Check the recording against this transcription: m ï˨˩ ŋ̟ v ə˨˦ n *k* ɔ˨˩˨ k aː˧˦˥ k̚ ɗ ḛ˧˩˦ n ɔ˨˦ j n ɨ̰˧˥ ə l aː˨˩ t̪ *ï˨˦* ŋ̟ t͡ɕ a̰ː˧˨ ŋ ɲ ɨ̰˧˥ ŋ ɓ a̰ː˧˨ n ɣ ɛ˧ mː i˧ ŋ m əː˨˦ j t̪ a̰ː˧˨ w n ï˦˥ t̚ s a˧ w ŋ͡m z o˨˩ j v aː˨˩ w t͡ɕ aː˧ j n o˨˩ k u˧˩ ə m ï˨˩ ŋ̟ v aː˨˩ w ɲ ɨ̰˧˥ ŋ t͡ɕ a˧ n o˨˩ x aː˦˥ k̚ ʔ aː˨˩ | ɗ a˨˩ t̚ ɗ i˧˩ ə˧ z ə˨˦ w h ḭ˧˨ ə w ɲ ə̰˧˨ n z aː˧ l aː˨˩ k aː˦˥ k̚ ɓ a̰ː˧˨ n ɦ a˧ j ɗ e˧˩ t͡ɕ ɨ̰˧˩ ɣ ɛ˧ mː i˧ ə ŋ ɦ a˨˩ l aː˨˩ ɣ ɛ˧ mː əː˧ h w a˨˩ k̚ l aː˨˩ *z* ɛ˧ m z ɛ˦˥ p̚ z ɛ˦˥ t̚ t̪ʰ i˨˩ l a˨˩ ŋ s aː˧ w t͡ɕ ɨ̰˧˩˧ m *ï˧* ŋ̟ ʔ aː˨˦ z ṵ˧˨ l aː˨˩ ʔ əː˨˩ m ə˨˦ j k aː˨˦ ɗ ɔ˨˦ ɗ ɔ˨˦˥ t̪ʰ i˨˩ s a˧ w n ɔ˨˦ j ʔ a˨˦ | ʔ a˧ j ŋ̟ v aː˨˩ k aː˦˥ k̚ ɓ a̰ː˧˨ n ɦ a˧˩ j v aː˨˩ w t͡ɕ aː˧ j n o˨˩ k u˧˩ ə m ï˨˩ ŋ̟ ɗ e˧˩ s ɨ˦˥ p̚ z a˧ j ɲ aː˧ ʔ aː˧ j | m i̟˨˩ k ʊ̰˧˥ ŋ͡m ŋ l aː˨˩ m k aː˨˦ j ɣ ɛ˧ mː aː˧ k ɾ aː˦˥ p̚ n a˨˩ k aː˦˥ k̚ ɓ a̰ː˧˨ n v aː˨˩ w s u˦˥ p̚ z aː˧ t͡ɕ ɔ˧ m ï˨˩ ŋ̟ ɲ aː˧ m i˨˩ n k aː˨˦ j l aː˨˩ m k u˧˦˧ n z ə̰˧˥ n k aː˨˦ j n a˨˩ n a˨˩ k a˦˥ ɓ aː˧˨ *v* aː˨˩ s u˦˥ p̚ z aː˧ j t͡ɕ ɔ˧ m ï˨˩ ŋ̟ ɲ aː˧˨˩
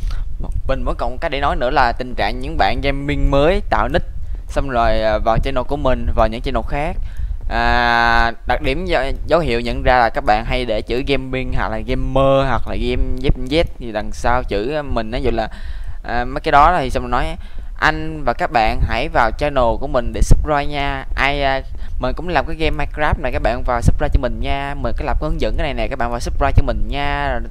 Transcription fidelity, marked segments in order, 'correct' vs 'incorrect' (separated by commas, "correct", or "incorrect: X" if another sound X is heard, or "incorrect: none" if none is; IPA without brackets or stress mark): correct, incorrect: ï˨˩, incorrect: ɣ, incorrect: ï˨˩, correct